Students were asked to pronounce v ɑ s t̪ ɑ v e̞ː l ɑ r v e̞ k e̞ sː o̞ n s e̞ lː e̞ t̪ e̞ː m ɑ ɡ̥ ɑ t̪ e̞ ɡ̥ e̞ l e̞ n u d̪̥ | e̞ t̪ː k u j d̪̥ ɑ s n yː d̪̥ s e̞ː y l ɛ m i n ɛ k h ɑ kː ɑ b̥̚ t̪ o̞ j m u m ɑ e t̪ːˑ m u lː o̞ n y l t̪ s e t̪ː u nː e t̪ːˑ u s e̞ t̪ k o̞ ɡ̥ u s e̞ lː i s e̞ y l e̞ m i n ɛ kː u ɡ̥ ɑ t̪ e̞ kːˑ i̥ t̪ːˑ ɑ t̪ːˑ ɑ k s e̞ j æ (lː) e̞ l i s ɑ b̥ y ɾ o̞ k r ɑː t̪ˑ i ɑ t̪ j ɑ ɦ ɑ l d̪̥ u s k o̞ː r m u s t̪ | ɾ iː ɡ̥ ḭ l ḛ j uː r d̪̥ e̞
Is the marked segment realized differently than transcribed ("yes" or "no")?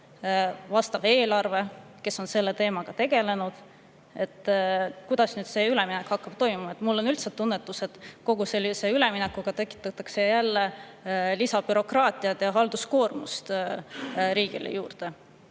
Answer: no